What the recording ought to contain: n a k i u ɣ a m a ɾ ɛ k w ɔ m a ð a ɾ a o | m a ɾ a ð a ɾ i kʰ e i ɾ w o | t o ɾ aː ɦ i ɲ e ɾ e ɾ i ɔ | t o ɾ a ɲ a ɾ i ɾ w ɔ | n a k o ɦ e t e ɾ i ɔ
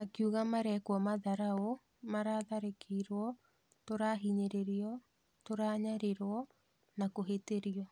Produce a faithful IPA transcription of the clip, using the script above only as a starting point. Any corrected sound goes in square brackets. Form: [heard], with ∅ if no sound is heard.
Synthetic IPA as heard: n a k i u ɣ a m a ɾ ɛ k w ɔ m a ð a ɾ a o | m a ɾ a ð a ɾ [e] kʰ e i ɾ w [ɔ] | t o ɾ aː ɦ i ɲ e ɾ e ɾ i ɔ | t o ɾ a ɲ a ɾ [e] ɾ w ɔ | n a k o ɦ e t e ɾ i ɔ